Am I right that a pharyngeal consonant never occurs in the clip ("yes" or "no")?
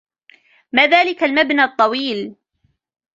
yes